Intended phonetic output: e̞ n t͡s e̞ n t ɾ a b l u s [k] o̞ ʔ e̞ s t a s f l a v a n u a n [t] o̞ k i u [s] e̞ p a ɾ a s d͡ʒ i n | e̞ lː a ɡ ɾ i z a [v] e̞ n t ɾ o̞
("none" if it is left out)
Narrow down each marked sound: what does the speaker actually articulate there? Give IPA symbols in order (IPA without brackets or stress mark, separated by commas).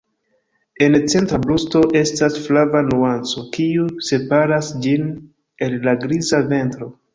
t, t͡s, s, v